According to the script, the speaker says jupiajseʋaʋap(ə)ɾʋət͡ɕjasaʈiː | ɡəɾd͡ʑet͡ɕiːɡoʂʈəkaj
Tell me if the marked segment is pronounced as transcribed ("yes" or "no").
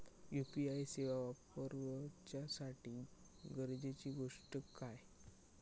yes